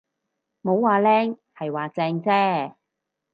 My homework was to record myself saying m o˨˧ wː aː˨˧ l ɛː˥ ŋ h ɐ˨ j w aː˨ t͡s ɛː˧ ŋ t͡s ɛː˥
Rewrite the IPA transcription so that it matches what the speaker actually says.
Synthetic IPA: m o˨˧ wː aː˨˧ l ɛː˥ ŋ h ɐ˨ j w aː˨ t͡s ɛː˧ ŋ t͡s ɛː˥